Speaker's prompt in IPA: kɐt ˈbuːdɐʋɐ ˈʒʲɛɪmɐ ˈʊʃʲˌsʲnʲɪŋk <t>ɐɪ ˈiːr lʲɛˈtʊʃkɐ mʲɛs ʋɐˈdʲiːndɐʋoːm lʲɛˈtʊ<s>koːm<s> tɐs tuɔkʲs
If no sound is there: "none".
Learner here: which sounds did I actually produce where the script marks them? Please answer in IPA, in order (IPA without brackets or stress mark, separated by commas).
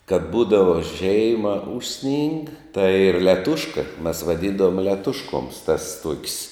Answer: t, ʃ, s